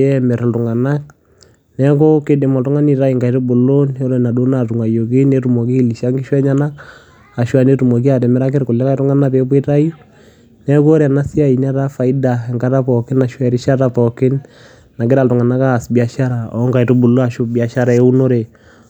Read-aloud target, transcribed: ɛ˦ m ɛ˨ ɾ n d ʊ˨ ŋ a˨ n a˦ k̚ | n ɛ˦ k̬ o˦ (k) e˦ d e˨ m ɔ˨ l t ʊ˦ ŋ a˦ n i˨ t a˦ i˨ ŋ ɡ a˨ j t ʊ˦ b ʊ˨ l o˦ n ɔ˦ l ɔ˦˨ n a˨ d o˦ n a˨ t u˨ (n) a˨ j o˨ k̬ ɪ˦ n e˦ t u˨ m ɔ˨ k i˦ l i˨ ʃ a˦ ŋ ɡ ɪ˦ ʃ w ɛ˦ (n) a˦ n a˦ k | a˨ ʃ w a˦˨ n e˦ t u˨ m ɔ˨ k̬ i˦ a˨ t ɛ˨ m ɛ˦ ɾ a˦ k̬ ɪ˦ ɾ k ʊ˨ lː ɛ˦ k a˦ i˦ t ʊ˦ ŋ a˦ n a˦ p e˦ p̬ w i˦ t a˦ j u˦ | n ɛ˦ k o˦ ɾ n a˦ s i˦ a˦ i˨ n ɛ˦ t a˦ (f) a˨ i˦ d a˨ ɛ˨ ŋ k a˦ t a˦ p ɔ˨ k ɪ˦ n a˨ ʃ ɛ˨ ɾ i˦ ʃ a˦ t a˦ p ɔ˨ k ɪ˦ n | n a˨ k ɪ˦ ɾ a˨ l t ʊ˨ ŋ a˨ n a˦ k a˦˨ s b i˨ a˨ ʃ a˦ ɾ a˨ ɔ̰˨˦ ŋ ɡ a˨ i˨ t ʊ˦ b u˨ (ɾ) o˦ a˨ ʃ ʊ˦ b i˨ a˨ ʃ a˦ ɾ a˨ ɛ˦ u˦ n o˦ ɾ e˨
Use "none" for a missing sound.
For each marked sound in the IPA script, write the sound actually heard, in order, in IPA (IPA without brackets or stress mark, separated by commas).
k, ŋ, ɲ, f, l